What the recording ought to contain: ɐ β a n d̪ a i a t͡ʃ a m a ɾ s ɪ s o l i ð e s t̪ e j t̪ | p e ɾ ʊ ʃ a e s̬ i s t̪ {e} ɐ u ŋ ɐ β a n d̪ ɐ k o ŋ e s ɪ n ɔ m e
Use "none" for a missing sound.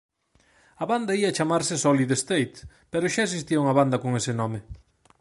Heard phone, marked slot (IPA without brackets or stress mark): i